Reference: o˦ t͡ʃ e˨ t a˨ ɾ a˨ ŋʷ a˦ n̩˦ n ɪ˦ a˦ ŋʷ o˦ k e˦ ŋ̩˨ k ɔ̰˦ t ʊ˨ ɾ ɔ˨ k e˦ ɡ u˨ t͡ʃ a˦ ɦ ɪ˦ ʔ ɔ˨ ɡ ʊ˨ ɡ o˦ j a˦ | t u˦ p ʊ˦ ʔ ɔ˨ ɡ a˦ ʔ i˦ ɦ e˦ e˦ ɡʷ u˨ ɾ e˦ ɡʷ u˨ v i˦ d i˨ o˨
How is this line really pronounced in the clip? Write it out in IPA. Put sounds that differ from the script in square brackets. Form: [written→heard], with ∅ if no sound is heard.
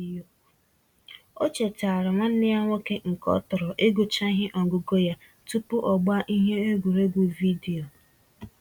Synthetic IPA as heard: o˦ t͡ʃ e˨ t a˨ ɾ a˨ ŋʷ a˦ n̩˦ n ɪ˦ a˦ ŋʷ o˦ k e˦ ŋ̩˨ k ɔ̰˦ t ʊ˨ ɾ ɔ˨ [k→ʔ] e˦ ɡ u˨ t͡ʃ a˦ ɦ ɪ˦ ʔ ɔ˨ ɡ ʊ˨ ɡ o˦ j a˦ | t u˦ p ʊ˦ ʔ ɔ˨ [ɡ→ɡ͡b] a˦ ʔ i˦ ɦ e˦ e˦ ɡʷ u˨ ɾ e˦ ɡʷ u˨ v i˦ d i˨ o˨